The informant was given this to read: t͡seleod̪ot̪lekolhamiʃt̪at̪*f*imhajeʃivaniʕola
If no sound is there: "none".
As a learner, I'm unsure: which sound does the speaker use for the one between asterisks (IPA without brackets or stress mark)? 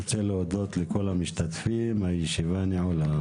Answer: f